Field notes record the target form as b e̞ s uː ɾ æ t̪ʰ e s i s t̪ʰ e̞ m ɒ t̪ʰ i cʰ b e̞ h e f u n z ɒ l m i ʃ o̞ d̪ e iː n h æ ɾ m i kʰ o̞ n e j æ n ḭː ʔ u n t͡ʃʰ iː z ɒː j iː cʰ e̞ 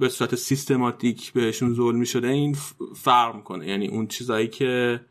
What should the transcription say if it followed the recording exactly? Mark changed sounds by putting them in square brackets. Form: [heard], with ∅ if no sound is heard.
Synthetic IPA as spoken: b e̞ s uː ɾ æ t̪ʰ e s i s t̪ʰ e̞ m ɒ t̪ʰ i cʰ b e̞ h e [ʃ] u n z [o] l m i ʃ o̞ d̪ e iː n [f] æ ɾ m i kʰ o̞ n e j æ n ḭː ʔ u n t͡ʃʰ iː z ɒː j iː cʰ e̞